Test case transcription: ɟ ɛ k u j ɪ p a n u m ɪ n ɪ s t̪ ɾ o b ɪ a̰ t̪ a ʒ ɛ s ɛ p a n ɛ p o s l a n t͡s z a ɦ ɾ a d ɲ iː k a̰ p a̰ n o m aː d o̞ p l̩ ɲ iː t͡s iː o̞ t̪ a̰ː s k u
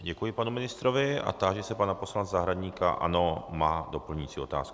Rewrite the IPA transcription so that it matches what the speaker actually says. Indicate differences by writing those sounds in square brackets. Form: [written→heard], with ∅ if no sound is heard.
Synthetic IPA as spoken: ɟ ɛ k u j ɪ p a n u m ɪ n ɪ s t̪ ɾ o [b→v] ɪ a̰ t̪ a ʒ ɛ s ɛ p a n [ɛ→a] p o s l a n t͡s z a ɦ ɾ a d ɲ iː k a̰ [p→ʔ] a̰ n o m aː d o̞ p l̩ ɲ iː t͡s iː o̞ t̪ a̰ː s k u